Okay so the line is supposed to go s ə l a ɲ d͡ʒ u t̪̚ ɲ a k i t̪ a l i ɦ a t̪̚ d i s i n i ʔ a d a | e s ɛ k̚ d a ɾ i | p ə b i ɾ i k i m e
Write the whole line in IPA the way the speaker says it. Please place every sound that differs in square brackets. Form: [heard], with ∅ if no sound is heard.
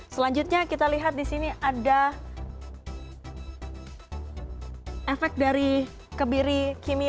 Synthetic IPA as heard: s ə l a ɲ d͡ʒ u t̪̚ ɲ a k i t̪ a l i ɦ a t̪̚ d i s i n i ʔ a d a | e [f] ɛ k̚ d a ɾ i | [k] ə b i ɾ i k i m [i]